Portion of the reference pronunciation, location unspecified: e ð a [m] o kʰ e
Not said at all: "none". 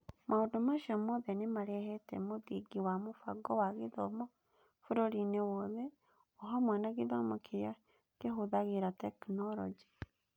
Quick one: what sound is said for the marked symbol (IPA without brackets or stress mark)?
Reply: m